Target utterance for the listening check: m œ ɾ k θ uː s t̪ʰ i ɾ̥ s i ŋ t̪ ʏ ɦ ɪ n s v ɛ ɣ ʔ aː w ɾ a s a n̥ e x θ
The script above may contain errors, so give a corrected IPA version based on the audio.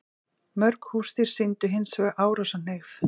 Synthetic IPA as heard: m œ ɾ k h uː s t̪ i ɾ̥ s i n t̪ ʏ ɦ ɪ n s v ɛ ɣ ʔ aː w ɾ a s a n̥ e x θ